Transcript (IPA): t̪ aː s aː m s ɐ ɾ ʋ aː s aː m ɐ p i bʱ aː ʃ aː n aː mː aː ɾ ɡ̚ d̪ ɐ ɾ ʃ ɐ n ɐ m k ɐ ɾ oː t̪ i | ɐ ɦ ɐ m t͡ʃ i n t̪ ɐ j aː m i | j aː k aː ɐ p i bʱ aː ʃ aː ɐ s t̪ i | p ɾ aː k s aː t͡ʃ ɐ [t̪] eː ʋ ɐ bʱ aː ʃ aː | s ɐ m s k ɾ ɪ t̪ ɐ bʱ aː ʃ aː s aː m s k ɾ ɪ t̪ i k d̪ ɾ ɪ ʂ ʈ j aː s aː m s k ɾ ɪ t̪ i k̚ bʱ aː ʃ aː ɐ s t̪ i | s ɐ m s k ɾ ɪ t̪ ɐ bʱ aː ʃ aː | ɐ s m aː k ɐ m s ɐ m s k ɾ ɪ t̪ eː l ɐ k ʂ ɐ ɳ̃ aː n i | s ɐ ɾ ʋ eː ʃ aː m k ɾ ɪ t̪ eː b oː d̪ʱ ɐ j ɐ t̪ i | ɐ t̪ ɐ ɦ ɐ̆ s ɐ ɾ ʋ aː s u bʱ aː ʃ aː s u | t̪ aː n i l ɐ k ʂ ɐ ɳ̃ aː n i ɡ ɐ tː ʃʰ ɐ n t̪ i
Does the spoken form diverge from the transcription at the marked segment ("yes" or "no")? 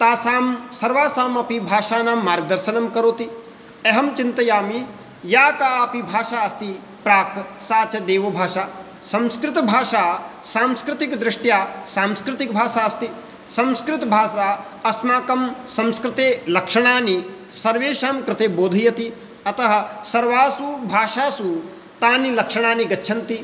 yes